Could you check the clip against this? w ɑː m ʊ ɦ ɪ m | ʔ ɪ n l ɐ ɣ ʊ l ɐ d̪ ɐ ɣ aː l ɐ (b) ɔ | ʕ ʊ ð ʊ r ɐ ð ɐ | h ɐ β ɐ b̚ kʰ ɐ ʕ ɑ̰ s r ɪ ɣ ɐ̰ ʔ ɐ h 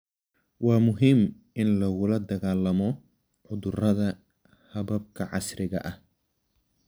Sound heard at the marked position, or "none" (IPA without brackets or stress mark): m